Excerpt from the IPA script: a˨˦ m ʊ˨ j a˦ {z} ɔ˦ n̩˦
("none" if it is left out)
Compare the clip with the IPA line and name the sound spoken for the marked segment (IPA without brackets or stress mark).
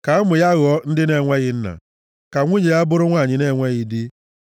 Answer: ɣ